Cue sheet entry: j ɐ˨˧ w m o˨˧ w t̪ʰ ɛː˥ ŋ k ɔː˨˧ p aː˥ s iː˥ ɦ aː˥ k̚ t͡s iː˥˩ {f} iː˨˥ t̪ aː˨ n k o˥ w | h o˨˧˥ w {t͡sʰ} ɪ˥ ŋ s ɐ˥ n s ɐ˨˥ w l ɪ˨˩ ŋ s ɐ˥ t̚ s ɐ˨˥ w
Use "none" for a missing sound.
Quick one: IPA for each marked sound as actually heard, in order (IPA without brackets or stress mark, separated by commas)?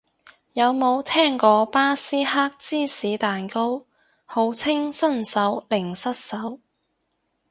s, t͡sʰ